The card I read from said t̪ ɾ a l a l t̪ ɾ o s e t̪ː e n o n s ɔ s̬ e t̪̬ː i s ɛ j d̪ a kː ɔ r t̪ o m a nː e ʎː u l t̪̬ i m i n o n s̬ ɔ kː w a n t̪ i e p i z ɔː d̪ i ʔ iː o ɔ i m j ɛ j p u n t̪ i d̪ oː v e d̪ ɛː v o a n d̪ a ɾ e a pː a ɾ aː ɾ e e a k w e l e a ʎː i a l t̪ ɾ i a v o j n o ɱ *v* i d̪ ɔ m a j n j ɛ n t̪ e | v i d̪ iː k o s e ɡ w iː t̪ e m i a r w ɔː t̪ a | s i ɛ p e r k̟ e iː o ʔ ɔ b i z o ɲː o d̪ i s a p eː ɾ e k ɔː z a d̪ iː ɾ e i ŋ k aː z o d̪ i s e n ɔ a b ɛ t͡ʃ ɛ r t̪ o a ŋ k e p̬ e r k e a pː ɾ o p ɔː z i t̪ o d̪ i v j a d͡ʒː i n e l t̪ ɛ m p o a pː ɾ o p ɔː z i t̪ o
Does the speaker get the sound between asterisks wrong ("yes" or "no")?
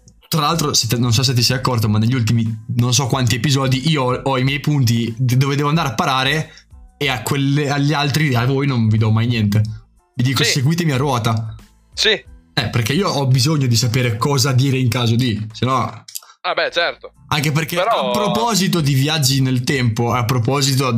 no